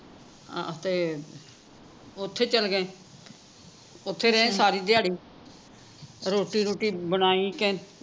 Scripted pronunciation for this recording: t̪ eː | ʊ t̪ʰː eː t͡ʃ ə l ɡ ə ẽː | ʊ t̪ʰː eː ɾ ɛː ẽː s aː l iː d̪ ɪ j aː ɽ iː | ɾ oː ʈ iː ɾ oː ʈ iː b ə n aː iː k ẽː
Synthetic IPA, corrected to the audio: t̪ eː | ʊ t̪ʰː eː t͡ʃ ə l ɡ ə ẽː | ʊ t̪ʰː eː ɾ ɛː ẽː s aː ɾ iː d̪ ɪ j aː ɽ iː | ɾ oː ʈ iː ɾ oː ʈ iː b ə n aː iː k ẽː